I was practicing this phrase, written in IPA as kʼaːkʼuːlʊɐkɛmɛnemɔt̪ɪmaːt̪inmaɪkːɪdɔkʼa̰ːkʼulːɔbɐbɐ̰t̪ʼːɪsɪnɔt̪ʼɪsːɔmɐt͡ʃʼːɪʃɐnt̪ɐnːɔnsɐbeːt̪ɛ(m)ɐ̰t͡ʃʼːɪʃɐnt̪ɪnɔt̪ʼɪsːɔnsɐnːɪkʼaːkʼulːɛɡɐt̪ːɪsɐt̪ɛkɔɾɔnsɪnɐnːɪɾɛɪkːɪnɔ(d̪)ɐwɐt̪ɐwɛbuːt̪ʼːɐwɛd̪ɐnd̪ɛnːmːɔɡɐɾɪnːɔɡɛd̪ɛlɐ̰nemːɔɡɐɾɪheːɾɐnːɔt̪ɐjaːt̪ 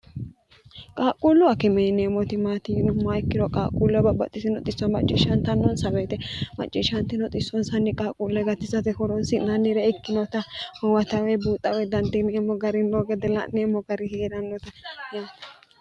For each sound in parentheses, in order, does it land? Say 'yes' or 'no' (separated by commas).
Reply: yes, no